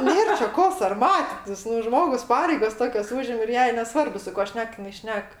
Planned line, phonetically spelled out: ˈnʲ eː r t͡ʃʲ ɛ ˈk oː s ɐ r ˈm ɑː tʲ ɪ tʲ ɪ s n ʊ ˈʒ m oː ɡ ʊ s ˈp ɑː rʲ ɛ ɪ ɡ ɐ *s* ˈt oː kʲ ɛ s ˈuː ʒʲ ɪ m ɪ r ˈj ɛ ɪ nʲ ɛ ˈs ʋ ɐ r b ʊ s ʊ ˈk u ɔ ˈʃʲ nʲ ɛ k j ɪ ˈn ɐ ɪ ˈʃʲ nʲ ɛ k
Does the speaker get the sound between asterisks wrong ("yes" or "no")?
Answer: no